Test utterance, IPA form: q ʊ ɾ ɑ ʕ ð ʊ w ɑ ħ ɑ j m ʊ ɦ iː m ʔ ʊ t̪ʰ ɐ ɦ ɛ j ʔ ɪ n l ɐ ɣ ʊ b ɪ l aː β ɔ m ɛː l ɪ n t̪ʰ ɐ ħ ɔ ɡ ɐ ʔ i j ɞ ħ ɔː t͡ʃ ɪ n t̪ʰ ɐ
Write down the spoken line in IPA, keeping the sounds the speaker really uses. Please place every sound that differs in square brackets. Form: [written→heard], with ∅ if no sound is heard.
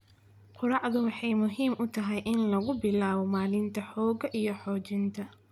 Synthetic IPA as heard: q ʊ ɾ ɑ ʕ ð ʊ w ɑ ħ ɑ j m ʊ ɦ iː m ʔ ʊ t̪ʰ ɐ ɦ ɛ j ʔ ɪ n l ɐ ɣ ʊ b ɪ l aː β ɔ m [ɛː→aː] l ɪ n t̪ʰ ɐ ħ [ɔ→ɔː] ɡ ɐ ʔ i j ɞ ħ ɔː t͡ʃ ɪ n t̪ʰ ɐ